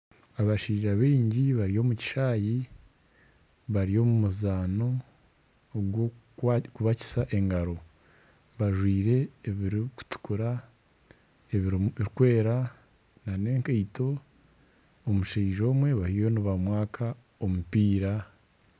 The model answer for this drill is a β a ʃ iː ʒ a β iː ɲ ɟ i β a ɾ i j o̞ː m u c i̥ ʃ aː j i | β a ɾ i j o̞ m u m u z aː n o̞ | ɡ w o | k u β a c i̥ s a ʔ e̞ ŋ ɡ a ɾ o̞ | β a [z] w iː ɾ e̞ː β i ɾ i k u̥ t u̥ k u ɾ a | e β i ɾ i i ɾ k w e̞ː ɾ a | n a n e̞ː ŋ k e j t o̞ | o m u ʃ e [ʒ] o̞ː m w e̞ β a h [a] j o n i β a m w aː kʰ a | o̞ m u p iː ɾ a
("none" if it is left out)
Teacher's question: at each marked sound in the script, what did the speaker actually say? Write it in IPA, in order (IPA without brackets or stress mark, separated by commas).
ʒ, ʒ, i